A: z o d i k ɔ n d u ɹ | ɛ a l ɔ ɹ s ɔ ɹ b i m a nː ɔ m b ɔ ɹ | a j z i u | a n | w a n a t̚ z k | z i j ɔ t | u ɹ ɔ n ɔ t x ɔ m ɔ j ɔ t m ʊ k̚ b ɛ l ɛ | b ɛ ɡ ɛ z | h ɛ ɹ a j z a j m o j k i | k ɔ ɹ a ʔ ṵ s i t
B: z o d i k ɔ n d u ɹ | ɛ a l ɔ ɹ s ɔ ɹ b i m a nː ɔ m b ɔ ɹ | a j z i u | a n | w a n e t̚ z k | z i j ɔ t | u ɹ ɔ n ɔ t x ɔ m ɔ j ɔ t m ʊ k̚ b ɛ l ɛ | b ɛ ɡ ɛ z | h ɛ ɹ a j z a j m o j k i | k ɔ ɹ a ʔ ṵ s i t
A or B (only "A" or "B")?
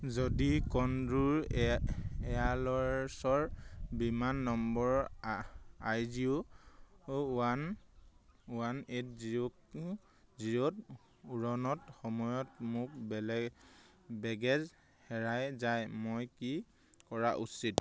B